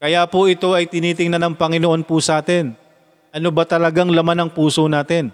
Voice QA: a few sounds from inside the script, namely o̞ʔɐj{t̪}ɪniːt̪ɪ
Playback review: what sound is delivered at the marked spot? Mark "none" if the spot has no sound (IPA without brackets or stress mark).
t̪